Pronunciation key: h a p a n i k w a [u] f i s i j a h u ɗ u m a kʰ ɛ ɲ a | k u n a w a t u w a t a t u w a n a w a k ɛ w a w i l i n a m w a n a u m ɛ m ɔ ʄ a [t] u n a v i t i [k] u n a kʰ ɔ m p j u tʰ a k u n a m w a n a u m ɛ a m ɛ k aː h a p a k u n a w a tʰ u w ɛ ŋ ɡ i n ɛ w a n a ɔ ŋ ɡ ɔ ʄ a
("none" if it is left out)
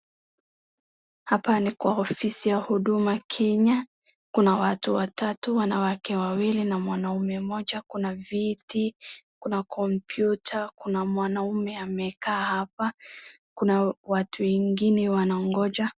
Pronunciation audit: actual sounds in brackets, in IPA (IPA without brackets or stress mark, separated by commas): ɔ, k, k